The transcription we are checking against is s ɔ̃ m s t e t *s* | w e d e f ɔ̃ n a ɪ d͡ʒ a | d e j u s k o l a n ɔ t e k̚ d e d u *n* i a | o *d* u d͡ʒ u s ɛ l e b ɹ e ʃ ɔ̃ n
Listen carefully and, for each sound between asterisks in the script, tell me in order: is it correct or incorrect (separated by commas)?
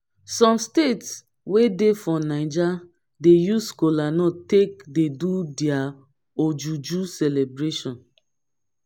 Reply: correct, incorrect, incorrect